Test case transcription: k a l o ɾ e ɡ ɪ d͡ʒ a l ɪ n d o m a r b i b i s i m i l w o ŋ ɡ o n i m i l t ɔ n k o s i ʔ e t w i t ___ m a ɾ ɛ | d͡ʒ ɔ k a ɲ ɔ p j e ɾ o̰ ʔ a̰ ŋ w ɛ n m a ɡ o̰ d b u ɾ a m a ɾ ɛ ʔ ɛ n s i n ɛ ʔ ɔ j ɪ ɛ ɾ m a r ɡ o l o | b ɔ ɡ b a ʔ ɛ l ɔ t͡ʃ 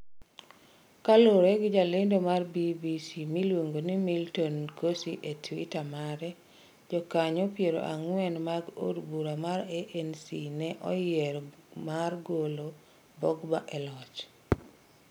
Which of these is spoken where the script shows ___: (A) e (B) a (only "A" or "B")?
B